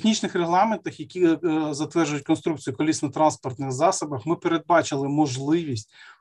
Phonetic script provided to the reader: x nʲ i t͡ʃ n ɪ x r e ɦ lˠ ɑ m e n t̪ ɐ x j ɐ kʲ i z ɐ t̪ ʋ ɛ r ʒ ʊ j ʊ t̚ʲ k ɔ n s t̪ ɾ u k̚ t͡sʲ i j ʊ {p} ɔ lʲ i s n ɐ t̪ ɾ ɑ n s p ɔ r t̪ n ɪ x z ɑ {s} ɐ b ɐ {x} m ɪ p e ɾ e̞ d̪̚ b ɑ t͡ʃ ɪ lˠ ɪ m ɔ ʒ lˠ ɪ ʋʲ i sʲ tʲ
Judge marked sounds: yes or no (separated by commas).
no, yes, yes